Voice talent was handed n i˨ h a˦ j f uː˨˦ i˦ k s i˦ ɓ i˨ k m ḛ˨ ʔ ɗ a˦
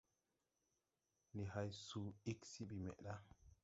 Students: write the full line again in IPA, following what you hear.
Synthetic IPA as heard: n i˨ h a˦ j s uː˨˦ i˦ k s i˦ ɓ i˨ m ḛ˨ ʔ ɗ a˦